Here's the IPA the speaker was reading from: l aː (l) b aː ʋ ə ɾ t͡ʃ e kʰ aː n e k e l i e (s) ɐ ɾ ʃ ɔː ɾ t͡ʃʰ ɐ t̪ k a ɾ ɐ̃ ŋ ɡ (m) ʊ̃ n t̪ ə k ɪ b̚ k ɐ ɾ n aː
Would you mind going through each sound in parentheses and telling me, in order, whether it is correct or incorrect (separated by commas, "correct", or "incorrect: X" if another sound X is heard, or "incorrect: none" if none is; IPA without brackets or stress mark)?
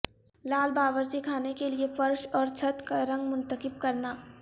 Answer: correct, incorrect: f, correct